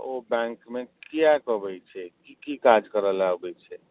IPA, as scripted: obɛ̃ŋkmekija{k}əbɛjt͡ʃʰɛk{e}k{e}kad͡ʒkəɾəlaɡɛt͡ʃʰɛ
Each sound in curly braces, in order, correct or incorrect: correct, incorrect, incorrect

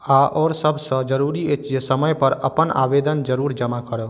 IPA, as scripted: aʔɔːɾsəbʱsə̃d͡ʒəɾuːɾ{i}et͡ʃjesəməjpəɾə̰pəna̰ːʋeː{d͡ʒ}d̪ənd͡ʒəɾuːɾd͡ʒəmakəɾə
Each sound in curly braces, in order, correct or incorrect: correct, incorrect

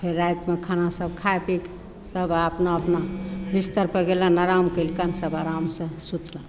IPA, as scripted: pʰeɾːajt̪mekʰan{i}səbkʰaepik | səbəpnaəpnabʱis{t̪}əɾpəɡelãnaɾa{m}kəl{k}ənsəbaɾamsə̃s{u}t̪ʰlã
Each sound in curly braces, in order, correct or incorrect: incorrect, correct, correct, correct, correct

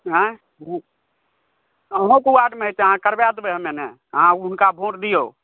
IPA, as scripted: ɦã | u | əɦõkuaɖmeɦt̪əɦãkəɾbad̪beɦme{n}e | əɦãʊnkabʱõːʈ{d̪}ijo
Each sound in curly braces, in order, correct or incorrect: correct, correct

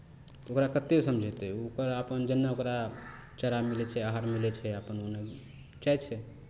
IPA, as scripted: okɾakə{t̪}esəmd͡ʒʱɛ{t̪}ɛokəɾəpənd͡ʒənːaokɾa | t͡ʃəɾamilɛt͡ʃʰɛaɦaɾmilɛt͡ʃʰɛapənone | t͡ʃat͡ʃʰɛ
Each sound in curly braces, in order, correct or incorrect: correct, correct

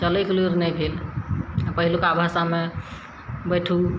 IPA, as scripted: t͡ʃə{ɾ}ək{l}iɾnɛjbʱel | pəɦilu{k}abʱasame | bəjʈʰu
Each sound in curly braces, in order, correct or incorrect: incorrect, correct, correct

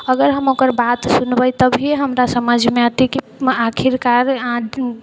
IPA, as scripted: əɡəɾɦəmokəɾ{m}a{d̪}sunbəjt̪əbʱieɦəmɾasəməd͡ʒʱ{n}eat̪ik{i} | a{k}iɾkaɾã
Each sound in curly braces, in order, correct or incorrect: incorrect, incorrect, incorrect, correct, incorrect

